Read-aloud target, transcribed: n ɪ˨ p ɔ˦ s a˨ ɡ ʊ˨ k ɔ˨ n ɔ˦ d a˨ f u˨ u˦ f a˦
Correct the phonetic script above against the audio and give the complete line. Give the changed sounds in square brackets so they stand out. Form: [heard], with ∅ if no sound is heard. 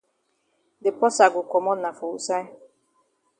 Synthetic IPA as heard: [d] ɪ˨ p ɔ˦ s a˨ ɡ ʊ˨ k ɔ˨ [m] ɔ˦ [n] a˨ f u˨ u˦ [s] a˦